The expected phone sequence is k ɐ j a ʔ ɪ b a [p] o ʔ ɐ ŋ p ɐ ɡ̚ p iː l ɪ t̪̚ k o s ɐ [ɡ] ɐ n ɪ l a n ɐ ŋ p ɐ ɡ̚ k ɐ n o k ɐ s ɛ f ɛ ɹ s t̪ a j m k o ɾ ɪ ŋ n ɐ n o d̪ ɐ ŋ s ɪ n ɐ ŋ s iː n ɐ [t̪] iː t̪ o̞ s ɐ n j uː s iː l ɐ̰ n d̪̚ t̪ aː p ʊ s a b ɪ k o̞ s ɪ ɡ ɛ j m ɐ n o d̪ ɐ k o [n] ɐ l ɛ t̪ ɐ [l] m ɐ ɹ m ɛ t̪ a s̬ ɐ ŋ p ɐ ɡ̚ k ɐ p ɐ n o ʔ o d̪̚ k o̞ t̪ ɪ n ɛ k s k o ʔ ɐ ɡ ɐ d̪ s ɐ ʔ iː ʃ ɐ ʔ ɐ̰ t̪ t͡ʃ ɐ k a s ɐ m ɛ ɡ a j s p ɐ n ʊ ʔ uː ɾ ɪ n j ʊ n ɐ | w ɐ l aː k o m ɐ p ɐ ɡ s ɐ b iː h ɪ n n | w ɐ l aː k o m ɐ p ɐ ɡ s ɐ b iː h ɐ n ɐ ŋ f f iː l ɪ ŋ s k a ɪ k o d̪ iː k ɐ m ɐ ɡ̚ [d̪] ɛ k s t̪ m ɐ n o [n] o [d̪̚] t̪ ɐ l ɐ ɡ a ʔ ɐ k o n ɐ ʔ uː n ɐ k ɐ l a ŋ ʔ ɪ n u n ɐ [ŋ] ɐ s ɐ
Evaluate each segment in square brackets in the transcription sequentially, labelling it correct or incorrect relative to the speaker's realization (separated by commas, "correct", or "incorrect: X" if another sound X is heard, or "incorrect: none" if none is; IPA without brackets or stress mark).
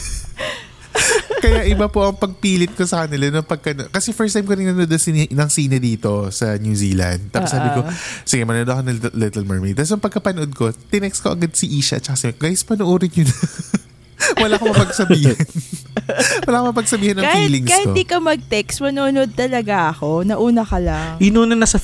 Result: correct, incorrect: k, incorrect: d̪, correct, correct, incorrect: t̪, correct, correct, incorrect: n